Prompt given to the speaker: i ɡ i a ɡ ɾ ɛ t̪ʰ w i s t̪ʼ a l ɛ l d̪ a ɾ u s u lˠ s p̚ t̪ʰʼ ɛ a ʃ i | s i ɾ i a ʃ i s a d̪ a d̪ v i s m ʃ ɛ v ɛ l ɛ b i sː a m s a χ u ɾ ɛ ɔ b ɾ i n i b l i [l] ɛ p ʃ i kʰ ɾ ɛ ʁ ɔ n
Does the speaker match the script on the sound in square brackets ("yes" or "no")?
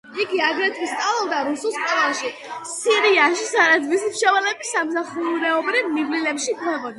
yes